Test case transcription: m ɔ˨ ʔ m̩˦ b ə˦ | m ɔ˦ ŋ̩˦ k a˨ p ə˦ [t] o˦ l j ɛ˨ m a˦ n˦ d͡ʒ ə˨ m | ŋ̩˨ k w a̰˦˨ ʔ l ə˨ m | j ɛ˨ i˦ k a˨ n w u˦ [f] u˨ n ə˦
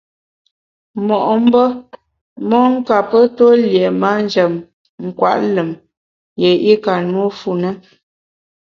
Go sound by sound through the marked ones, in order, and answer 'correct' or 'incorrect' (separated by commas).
correct, correct